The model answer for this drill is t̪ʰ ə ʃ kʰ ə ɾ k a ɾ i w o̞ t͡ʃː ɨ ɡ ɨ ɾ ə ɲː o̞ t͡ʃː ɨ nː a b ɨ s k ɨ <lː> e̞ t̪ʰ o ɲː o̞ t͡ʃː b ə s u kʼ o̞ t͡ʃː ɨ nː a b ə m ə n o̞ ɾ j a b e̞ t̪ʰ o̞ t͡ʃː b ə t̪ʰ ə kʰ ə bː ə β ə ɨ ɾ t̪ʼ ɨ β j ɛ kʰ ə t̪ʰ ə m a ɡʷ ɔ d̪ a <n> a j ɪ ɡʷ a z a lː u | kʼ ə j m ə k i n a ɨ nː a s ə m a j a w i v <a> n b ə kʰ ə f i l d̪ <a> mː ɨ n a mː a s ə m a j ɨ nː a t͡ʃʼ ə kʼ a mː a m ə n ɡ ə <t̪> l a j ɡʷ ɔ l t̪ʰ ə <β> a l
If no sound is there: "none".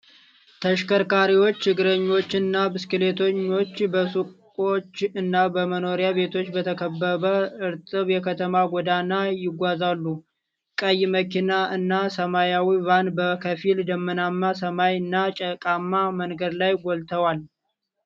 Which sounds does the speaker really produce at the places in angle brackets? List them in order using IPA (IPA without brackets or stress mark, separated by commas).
l, n, a, ə, d̪, w